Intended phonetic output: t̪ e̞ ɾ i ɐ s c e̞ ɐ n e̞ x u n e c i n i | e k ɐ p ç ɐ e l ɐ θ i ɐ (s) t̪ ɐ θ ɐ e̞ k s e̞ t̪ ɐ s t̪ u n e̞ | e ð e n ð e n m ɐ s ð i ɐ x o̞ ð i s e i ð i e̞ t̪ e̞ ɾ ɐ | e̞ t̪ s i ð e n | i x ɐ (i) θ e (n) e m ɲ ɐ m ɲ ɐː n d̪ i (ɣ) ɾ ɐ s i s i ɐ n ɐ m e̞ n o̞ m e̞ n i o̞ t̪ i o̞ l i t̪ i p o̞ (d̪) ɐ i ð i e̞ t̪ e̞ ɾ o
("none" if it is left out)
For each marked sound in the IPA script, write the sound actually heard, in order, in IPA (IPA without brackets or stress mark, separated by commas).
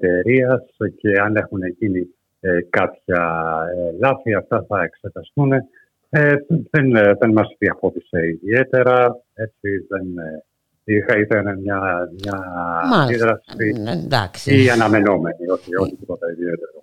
f, i, n, ð, t̪